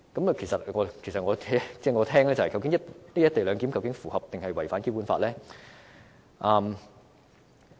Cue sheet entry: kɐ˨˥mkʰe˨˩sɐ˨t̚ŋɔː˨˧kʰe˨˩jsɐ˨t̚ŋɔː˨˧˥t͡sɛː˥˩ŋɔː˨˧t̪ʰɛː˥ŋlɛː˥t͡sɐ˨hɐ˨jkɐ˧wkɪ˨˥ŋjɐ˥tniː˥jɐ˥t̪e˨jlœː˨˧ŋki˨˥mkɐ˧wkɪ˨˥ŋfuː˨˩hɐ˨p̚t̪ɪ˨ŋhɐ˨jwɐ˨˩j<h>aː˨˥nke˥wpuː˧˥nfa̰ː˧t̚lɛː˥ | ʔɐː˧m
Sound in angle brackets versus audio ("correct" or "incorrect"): incorrect